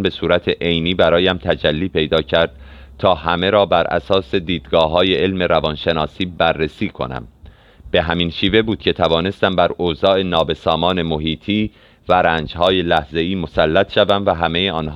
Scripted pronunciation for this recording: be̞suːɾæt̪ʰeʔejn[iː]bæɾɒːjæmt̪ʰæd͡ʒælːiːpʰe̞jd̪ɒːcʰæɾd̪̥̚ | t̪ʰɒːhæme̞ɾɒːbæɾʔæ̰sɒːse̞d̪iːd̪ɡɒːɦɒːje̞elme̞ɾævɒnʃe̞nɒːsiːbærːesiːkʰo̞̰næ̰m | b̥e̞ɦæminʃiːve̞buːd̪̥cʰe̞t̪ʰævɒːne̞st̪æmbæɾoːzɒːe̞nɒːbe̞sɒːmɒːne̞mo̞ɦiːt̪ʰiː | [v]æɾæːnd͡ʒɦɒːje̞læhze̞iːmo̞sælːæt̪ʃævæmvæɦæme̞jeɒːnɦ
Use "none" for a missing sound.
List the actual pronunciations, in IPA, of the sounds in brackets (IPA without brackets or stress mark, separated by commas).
iː, v